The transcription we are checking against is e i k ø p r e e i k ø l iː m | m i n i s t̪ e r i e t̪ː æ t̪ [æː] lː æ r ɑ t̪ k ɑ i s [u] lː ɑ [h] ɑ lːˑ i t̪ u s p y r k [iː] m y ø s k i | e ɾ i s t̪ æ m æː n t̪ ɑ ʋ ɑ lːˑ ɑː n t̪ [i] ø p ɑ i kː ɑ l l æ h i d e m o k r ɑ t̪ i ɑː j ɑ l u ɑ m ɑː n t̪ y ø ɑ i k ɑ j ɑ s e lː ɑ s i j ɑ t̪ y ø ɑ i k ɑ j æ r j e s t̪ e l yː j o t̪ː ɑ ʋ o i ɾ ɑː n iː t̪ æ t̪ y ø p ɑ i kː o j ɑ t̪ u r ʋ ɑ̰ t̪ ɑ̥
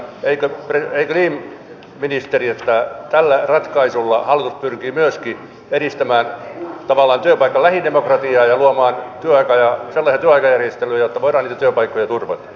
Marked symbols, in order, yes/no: no, yes, yes, yes, no

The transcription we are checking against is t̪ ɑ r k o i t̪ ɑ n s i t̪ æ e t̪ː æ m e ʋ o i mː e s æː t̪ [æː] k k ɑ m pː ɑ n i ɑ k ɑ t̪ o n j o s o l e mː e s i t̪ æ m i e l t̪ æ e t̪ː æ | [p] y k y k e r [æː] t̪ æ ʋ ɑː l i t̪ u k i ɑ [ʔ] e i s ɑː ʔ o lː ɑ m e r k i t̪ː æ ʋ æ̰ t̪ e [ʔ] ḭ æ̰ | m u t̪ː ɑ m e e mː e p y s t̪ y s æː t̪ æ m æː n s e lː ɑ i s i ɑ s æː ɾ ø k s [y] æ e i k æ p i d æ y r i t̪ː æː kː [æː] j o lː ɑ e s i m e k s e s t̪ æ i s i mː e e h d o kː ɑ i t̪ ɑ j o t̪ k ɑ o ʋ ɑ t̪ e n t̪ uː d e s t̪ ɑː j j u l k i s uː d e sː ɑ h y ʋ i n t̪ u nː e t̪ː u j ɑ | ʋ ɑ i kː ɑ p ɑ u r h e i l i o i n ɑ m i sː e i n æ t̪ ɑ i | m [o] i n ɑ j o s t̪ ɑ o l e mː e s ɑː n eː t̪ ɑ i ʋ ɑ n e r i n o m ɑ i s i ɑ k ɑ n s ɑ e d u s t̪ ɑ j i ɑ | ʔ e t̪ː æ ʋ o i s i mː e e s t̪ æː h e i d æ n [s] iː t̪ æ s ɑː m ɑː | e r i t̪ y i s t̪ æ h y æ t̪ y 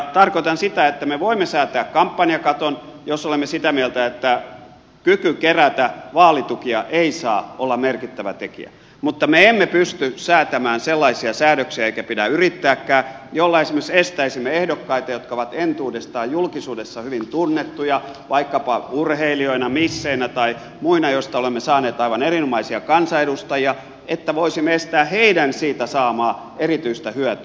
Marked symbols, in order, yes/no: yes, no, no, yes, no, no, yes, no, yes

